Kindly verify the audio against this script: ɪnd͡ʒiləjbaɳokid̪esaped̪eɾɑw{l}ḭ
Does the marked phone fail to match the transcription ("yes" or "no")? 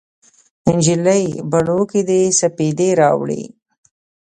yes